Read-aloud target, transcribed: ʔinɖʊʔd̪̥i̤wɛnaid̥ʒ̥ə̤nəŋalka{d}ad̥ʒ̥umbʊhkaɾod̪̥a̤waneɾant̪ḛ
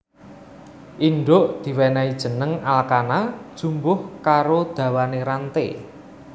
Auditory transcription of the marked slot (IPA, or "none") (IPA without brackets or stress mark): n